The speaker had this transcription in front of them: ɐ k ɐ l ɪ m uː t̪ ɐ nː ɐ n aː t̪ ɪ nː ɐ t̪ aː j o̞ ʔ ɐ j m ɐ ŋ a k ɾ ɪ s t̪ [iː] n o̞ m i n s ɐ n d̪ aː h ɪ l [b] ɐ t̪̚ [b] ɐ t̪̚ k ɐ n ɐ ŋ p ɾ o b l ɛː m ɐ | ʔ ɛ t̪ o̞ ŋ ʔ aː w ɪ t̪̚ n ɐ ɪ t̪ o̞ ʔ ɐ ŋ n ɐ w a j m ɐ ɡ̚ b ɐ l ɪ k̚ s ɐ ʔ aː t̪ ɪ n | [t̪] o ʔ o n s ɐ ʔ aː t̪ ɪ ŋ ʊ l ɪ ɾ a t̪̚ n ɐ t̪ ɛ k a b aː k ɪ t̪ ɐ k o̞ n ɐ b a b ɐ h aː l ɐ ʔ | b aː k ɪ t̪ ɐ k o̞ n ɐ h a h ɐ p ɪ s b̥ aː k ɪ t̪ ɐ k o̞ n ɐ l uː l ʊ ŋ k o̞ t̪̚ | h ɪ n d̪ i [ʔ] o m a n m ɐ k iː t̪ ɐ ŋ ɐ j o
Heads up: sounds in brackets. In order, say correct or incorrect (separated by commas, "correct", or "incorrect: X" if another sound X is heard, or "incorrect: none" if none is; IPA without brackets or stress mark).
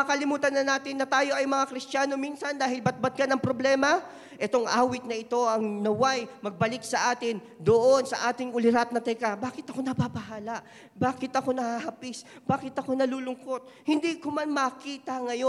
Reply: incorrect: aː, correct, correct, incorrect: d̪, incorrect: k